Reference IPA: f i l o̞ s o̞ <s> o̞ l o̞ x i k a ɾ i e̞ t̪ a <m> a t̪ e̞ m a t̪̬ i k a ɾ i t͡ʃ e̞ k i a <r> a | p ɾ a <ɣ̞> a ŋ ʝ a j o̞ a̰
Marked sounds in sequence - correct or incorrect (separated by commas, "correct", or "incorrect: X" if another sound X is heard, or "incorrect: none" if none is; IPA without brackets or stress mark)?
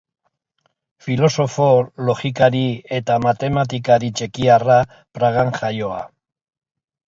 incorrect: f, correct, correct, correct